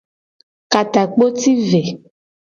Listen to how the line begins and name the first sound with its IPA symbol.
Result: k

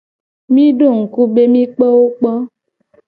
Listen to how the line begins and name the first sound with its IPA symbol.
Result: m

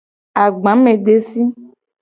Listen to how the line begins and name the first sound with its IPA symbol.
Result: a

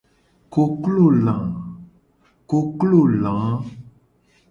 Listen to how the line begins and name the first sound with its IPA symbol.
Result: k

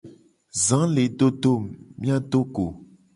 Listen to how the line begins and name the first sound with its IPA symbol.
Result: z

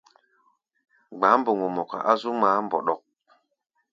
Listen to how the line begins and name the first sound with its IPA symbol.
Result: ɡ͡b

